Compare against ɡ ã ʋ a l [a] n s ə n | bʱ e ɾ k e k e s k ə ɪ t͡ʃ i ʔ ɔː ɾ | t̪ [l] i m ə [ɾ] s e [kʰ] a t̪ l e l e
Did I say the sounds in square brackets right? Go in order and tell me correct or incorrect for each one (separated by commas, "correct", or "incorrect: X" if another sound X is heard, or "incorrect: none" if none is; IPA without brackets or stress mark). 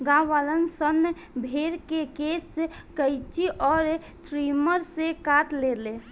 incorrect: ə, incorrect: ɾ, correct, incorrect: k